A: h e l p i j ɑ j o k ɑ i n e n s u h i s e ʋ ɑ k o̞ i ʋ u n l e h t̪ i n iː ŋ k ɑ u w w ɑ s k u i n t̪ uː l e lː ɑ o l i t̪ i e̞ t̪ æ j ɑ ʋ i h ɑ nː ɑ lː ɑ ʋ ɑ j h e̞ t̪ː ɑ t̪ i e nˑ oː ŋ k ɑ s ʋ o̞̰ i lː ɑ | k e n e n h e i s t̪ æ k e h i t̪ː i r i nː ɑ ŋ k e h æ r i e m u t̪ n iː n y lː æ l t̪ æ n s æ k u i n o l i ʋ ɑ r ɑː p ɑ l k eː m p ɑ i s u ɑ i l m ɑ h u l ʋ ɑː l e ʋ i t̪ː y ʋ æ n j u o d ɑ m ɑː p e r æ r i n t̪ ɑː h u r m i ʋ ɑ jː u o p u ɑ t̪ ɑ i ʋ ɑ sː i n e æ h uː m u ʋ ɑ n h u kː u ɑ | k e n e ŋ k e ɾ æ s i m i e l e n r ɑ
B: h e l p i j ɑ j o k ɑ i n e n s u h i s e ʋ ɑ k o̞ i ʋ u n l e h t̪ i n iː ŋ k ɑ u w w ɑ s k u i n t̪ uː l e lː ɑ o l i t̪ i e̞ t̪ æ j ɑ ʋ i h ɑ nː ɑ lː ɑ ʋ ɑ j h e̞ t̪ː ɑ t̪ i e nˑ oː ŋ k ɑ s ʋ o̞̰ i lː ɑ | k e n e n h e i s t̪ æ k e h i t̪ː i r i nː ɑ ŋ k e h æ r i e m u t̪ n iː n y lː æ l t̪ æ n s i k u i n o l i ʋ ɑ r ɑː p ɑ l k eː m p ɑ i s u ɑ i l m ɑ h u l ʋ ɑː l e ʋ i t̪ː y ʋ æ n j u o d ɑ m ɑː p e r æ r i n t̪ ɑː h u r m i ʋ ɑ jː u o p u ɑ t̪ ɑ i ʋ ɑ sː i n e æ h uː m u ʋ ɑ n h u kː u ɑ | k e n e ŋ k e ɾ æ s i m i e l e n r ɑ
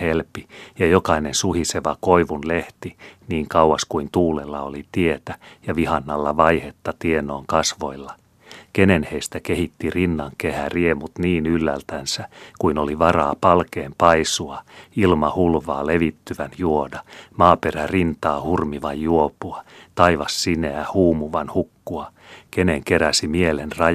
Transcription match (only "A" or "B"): A